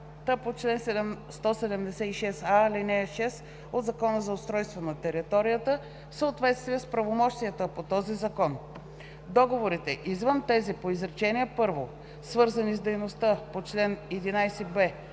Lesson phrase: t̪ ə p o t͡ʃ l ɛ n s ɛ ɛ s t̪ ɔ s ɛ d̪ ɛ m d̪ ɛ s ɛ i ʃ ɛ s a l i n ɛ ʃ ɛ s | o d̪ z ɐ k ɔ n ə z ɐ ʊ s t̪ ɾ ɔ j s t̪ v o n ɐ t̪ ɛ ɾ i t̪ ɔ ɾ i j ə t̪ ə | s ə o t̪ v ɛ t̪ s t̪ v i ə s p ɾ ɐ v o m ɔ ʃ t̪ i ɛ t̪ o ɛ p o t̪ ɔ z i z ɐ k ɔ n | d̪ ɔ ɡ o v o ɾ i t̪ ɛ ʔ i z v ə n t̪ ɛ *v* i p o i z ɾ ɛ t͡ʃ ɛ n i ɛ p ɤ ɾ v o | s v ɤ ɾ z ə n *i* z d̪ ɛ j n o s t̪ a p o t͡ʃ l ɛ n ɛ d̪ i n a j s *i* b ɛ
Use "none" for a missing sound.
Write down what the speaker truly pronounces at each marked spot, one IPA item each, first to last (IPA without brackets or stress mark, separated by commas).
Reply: z, i, ɛ